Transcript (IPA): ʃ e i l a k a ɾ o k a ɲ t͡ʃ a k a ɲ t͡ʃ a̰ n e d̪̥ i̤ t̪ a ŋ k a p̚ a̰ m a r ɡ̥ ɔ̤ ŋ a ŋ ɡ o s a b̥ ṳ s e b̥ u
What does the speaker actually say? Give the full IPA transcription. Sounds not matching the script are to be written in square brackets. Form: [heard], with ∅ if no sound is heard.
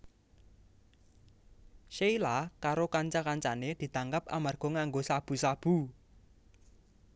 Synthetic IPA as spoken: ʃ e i l a k a ɾ o k a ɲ t͡ʃ a k a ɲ t͡ʃ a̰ n e d̪̥ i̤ t̪ a ŋ k a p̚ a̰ m a r ɡ̥ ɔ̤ ŋ a ŋ ɡ o s a b̥ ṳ s [a] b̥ u

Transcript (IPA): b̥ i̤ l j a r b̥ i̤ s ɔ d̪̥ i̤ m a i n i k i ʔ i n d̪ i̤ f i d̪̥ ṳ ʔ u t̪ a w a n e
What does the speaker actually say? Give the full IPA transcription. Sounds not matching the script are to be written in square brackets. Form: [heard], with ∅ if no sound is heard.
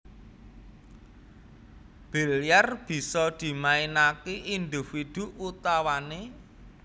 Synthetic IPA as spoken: b̥ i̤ l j a r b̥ i̤ s ɔ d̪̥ i̤ m a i n [a] k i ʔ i n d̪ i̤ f i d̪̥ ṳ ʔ u t̪ a w a n e

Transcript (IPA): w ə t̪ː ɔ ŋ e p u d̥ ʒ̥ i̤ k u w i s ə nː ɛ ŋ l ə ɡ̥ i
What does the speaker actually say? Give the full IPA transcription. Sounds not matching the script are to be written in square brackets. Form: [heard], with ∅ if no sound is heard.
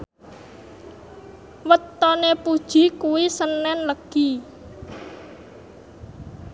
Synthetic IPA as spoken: w ə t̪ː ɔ [n] e p u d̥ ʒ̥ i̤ k u w i s ə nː ɛ [n] l ə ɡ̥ i

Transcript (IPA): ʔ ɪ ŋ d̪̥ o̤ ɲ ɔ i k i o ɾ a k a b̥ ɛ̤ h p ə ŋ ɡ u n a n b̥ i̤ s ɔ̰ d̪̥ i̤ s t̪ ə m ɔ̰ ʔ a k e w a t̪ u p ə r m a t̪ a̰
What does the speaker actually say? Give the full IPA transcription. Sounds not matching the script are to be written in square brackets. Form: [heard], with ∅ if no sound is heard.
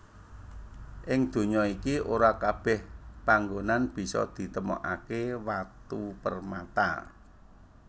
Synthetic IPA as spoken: ʔ ɪ ŋ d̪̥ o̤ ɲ ɔ i k i o ɾ a k a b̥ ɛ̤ h p [a] ŋ ɡ [o] n a n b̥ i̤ s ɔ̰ d̪̥ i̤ [∅] t̪ ə m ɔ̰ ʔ a k e w a t̪ u p ə r m a t̪ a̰

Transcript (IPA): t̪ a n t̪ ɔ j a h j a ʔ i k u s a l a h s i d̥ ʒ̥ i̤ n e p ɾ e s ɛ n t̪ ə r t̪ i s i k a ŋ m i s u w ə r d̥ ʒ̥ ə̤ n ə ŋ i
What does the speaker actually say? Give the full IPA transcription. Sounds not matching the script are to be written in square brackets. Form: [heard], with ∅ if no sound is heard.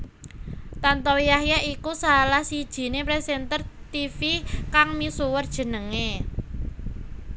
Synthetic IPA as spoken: t̪ a n t̪ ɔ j a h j a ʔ i k u s a l a h s i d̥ ʒ̥ i̤ n e p ɾ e s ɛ n t̪ ə r t̪ i [f] i k a ŋ m i s u w ə r d̥ ʒ̥ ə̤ n ə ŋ [e]

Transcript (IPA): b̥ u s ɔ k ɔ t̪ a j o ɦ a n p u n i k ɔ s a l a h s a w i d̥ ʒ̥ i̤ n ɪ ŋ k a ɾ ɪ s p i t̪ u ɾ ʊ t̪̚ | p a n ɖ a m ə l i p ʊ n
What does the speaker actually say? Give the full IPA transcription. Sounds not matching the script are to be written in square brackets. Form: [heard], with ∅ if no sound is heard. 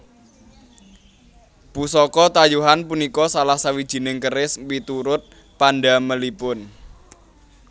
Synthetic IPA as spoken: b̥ u s ɔ k ɔ t̪ a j [u] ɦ a n p u n i k ɔ s a l a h s a w i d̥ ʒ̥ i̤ n ɪ ŋ k [ə] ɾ ɪ s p i t̪ u ɾ ʊ t̪̚ | p a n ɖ a m ə l i p ʊ n

